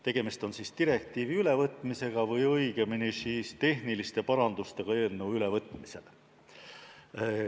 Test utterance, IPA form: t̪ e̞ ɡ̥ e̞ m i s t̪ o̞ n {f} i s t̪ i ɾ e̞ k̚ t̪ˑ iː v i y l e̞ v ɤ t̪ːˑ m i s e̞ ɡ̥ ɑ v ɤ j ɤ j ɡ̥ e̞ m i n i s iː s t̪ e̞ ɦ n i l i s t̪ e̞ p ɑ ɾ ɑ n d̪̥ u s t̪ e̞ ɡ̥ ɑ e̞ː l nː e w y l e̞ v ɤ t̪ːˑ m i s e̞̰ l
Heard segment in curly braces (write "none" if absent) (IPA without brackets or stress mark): s